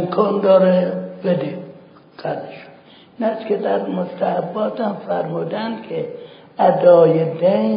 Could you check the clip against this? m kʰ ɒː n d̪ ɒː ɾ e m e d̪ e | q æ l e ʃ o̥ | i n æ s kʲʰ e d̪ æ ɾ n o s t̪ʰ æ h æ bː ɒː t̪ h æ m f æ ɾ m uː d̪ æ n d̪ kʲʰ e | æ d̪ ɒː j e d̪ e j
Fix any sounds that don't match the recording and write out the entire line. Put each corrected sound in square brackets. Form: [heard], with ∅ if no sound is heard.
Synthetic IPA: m kʰ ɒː n d̪ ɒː ɾ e [b] e d̪ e | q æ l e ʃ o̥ | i n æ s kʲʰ e d̪ æ ɾ [m] o s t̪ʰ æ h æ bː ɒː t̪ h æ m f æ ɾ m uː d̪ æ n d̪ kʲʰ e | æ d̪ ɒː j e d̪ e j